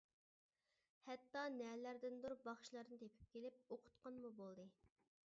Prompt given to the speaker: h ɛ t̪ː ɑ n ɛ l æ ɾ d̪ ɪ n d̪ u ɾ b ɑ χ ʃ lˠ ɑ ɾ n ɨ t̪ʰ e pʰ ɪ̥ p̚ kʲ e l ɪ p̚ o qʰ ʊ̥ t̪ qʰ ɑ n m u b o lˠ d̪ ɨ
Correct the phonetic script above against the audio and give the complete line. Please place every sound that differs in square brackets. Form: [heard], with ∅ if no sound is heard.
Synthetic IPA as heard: h ɛ t̪ː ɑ n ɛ l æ ɾ d̪ ɪ n d̪ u ɾ b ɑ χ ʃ lˠ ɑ ɾ n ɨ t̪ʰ e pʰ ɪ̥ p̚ kʲ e l ɪ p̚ o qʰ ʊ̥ t̪ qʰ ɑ n m u b o lˠ d̪ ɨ